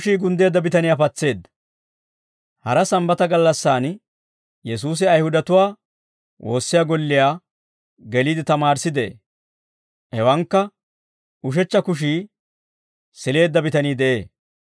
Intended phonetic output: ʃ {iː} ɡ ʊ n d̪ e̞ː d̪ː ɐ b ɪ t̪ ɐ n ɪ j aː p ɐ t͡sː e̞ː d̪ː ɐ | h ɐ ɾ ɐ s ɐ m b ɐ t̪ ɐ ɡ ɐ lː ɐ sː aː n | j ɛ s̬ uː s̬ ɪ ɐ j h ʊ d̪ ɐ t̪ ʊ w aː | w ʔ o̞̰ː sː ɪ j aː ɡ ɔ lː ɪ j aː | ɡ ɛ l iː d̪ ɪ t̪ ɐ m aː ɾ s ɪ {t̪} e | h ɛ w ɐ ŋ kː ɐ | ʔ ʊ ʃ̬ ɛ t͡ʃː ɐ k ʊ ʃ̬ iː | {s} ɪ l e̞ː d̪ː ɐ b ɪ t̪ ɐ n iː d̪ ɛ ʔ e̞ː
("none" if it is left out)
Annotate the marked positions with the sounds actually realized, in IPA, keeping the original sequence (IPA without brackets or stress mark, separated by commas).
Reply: iː, d̪, s